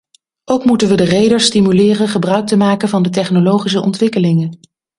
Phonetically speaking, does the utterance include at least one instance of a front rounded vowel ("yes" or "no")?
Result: yes